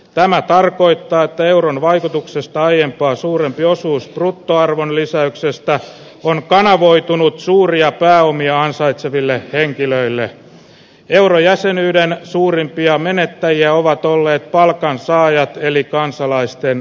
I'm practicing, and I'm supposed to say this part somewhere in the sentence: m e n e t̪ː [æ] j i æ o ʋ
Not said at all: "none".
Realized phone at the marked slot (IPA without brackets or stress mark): æ